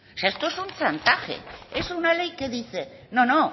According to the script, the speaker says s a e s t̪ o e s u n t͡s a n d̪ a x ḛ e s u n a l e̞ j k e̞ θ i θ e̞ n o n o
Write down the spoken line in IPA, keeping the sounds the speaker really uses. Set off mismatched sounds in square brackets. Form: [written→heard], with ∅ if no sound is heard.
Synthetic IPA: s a e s t̪ o e s u n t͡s a n [d̪→t̪] a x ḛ e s u n a l e̞ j k e̞ [θ→ð] i θ e̞ n o n o